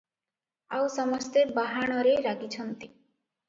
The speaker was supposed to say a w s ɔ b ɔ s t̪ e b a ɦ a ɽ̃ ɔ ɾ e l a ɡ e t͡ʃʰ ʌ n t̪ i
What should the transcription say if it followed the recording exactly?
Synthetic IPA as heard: a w s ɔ m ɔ s t̪ e b a ɦ a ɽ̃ ɔ ɾ e ɾ a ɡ i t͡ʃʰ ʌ n t̪ i

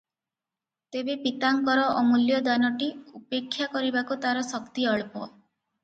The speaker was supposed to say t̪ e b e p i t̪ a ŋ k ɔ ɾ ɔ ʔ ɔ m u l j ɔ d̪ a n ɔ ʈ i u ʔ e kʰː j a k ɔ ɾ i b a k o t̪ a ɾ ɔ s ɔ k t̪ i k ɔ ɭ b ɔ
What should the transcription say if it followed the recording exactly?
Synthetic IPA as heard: t̪ e b e p i t̪ a ŋ k ɔ ɾ ɔ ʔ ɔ m u l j ɔ d̪ a n ɔ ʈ i u p e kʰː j a k ɔ ɾ i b a k u t̪ a ɾ ɔ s ɔ k t̪ i ɔ ɭ p ɔ

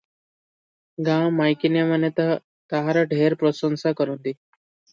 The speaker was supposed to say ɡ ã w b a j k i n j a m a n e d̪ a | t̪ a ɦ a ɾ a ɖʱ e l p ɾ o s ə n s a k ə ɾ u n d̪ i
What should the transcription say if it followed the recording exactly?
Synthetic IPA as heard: ɡ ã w m a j k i n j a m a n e t̪ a | t̪ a ɦ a ɾ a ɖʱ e ɾ p ɾ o s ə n s a k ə ɾ u n d̪ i

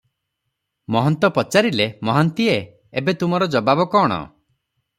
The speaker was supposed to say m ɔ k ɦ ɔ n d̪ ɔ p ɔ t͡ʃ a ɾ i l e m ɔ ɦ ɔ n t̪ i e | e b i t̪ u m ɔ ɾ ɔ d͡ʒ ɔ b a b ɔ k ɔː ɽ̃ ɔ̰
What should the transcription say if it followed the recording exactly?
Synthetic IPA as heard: m ɔ ɦ ɔ n t̪ ɔ p ɔ t͡ʃ a ɾ i l e m ɔ ɦ ɔ n t̪ i e | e b e t̪ u m ɔ ɾ ɔ d͡ʒ ɔ b a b ɔ k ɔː ɽ̃ ɔ̰

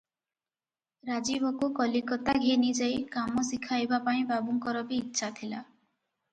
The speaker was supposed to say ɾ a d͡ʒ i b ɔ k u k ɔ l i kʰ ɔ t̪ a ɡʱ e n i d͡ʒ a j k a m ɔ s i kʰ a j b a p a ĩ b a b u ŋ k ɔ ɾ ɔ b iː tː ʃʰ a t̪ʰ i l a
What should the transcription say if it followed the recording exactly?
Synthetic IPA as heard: ɾ a d͡ʒ i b ɔ k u k ɔ l i k ɔ t̪ a ɡʱ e n i d͡ʒ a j k a m ɔ s i kʰ a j b a p a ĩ b a b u ŋ k ɔ ɾ ɔ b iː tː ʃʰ a t̪ʰ i l a

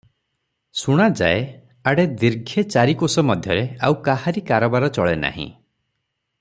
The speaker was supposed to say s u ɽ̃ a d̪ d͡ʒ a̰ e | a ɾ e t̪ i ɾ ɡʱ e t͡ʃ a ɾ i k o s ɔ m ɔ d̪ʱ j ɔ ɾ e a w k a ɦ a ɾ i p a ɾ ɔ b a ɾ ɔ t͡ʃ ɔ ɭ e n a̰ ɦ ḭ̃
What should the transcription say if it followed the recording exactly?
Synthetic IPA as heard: s u ɽ̃ a d͡ʒ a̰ e | a ɽ e d̪ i ɾ ɡʱ e t͡ʃ a ɾ i k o s ɔ m ɔ d̪ʱ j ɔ ɾ e a w k a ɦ a ɾ i k a ɾ ɔ b a ɾ ɔ t͡ʃ ɔ ɭ e n a̰ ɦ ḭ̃

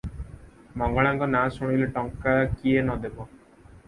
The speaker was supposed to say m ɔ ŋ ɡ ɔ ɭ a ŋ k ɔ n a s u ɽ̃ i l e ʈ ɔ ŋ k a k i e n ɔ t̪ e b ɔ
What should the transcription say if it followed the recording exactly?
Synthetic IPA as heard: m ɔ ŋ ɡ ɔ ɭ a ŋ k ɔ n a s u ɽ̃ i l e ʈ ɔ ŋ k a k i e n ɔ d̪ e b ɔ

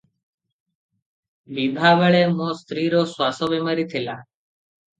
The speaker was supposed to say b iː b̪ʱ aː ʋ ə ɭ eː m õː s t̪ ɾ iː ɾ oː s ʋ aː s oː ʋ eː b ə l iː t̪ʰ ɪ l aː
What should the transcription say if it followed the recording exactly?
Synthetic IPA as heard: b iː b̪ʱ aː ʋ ə ɭ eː m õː s t̪ ɾ iː ɾ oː s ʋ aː s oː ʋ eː m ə ɾ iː t̪ʰ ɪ l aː

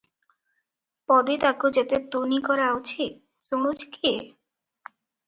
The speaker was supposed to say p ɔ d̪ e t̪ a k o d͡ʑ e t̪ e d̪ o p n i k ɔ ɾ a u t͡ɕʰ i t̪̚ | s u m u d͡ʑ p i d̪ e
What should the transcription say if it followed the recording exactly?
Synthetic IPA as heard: p ɔ d̪ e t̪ a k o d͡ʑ e t̪ e t̪ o n i k ɔ ɾ a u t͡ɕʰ i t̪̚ | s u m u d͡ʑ k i e

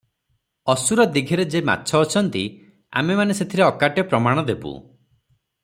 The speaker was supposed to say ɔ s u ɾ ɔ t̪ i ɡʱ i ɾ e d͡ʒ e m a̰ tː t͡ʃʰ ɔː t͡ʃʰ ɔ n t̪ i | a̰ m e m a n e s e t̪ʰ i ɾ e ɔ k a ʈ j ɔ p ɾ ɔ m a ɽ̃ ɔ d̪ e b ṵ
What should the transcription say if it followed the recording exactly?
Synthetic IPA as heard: ɔ s u ɾ ɔ d̪ i ɡʱ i ɾ e d͡ʒ e m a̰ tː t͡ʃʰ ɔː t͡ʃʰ ɔ n t̪ i | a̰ m e m a n e s e t̪ʰ i ɾ e ɔ k a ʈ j ɔ p ɾ ɔ m a ɽ̃ ɔ d̪ e b ṵ

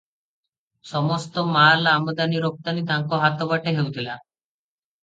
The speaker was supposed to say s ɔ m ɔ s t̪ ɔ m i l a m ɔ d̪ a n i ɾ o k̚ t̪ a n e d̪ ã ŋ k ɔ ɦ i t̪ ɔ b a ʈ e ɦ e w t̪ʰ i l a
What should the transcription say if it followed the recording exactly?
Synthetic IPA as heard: s ɔ m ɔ s t̪ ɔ m a l a m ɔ d̪ a n i ɾ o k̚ t̪ a n i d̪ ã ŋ k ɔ ɦ a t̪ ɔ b a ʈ e ɦ e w t̪ʰ i l a

